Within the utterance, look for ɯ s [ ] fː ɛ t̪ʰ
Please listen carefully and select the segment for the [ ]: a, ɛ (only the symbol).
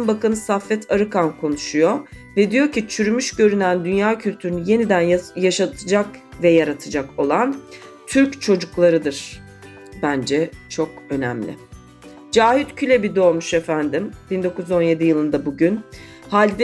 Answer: a